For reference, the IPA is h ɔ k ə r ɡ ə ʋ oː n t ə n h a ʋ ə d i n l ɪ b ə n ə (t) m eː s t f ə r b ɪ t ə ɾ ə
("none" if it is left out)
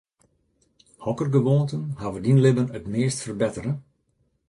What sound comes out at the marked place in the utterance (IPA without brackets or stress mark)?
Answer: t